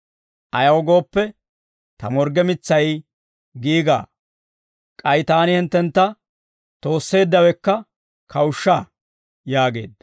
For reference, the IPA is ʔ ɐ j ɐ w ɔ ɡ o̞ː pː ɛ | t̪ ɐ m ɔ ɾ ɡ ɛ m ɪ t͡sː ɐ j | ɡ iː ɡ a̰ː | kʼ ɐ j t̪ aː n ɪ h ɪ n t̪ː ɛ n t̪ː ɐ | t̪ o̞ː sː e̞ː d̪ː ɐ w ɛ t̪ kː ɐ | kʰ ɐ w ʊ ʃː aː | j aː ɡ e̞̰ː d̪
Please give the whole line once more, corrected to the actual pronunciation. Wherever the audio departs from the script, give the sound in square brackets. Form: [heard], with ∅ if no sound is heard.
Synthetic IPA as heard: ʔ ɐ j ɐ w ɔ ɡ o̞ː pː ɛ | t̪ ɐ m ɔ ɾ ɡ ɛ m ɪ t͡sː ɐ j | ɡ iː ɡ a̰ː | kʼ ɐ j t̪ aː n ɪ h ɪ n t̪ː ɛ n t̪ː ɐ | t̪ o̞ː sː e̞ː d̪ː ɐ w ɛ [∅] kː ɐ | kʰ ɐ w ʊ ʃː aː | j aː ɡ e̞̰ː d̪